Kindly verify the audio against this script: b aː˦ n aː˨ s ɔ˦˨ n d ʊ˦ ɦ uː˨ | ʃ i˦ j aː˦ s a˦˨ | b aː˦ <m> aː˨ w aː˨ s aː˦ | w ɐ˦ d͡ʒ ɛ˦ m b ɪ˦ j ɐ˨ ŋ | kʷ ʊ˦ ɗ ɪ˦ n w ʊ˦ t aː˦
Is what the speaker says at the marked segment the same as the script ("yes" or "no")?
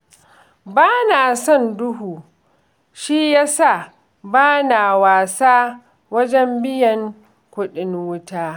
no